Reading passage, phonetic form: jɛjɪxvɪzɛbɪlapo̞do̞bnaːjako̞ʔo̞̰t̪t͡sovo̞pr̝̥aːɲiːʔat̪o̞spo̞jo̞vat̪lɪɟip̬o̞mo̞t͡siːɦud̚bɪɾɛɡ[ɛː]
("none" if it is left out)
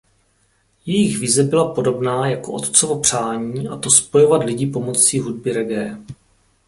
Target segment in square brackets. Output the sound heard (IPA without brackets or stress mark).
ɛː